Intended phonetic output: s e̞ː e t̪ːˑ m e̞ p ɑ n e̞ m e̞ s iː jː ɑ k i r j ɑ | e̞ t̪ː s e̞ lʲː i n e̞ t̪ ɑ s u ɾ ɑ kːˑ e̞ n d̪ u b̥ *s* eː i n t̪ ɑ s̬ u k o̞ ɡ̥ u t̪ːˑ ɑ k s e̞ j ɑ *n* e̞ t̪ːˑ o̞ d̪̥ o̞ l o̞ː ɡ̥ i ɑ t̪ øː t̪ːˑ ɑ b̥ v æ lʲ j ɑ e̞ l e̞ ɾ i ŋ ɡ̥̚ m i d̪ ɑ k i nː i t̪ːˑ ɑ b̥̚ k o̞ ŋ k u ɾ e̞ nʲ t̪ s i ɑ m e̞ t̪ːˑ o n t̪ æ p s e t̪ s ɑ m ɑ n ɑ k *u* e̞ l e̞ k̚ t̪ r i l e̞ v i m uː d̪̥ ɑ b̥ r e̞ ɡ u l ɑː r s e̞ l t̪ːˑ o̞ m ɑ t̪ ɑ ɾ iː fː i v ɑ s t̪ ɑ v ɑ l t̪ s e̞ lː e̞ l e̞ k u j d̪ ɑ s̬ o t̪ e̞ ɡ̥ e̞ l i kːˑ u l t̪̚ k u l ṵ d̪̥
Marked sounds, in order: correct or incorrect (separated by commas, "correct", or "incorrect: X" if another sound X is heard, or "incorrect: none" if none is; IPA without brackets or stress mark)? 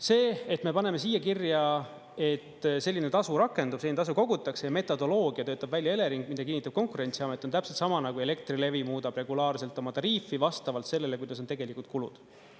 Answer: correct, incorrect: m, correct